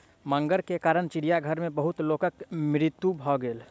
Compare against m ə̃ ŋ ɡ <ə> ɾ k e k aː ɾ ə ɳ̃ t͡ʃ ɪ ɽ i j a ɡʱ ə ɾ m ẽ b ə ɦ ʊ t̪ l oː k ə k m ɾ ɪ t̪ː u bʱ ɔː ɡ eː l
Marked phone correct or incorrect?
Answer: correct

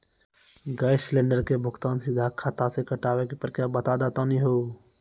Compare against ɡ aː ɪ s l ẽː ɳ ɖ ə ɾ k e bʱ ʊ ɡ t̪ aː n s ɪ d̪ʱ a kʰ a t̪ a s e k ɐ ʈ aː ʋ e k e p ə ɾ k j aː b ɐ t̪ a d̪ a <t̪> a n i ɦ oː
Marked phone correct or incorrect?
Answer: correct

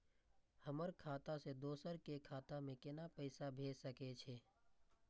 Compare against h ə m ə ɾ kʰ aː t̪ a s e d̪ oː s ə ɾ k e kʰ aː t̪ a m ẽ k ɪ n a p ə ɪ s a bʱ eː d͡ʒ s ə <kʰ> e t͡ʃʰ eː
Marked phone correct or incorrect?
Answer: incorrect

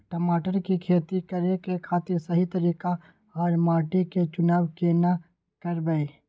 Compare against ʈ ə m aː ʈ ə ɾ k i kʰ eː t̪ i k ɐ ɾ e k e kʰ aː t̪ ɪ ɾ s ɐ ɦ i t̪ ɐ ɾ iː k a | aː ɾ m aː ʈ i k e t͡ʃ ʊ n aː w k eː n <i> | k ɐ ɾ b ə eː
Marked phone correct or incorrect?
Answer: incorrect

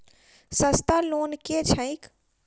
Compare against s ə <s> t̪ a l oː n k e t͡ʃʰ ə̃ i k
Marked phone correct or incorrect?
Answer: correct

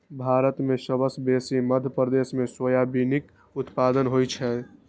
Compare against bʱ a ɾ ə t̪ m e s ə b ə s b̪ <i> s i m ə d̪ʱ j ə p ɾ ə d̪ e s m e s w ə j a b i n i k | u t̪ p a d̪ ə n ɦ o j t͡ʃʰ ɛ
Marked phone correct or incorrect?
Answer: incorrect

